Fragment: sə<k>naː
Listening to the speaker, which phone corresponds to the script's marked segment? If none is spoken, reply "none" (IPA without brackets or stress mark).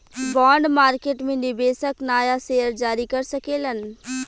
k